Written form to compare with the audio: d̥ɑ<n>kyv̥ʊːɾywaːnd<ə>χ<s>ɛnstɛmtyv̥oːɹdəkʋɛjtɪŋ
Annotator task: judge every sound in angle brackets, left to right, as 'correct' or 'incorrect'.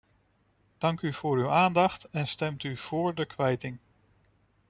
incorrect: ŋ, incorrect: ɑ, incorrect: t

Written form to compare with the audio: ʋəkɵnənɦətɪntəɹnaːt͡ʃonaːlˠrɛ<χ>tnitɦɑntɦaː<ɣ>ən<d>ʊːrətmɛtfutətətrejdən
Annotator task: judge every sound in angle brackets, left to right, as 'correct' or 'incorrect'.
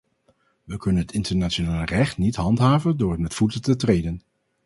correct, incorrect: v, correct

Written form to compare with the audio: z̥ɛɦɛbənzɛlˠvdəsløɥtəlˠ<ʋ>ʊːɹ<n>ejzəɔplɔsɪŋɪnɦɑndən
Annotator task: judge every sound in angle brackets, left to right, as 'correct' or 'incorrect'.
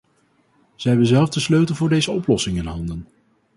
incorrect: v, incorrect: d

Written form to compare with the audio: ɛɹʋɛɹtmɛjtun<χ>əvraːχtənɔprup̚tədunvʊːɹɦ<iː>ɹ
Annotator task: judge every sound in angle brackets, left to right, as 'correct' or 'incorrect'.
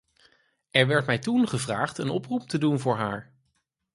correct, incorrect: aː

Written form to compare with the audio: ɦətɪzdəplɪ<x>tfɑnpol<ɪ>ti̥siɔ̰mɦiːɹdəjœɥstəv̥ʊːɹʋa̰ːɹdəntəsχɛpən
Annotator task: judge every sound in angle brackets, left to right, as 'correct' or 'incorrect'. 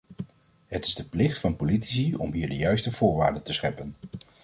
incorrect: χ, incorrect: i

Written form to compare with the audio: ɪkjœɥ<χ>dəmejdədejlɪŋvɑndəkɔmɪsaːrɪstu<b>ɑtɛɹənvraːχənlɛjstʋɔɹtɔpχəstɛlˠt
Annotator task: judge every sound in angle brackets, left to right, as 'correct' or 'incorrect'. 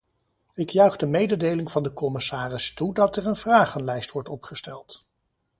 correct, incorrect: d

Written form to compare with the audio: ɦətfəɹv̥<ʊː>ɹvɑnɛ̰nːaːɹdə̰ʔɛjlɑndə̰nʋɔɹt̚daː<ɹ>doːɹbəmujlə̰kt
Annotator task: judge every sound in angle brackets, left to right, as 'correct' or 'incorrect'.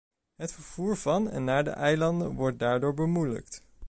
incorrect: uː, correct

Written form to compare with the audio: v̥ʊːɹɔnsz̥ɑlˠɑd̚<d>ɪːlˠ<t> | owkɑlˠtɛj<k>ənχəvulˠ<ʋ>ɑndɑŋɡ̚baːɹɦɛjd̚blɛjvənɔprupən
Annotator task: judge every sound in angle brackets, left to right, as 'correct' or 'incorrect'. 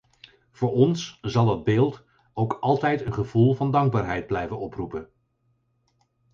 incorrect: b, correct, incorrect: t, incorrect: v

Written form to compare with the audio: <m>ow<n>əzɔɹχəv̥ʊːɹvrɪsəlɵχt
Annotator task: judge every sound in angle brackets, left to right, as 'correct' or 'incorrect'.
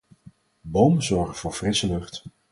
incorrect: b, incorrect: m

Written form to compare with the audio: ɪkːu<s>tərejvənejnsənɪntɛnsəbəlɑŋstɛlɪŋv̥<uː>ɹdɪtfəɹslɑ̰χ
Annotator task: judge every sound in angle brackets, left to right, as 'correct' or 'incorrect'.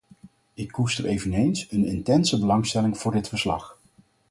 correct, incorrect: ʊː

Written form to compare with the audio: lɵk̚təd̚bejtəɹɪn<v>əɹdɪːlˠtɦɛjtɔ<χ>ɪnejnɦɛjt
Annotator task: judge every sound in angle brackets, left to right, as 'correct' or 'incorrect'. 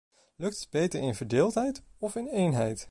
correct, incorrect: f

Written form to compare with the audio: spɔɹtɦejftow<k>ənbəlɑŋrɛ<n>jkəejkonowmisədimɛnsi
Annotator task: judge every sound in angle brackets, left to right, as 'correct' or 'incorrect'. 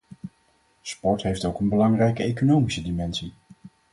correct, incorrect: none

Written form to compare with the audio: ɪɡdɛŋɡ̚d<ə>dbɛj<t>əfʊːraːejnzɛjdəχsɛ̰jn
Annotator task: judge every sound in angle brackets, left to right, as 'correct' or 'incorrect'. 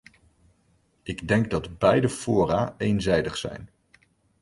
incorrect: ɑ, incorrect: d

